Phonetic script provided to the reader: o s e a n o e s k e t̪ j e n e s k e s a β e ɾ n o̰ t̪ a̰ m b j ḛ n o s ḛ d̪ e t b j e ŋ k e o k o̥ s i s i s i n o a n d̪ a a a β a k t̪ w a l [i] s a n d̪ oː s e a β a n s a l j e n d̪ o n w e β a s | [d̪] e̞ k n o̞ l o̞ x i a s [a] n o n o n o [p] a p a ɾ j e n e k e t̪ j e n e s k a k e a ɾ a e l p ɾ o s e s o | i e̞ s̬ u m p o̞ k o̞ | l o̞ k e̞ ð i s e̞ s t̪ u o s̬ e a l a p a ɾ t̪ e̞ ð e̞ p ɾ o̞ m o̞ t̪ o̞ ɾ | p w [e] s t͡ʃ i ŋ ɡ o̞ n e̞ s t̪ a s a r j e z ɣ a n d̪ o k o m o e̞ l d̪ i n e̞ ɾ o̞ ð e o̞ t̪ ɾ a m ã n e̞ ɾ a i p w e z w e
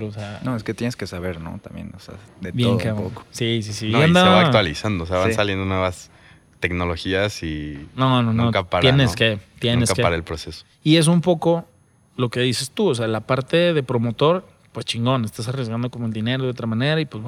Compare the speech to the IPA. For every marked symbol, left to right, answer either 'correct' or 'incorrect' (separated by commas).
correct, incorrect, incorrect, incorrect, correct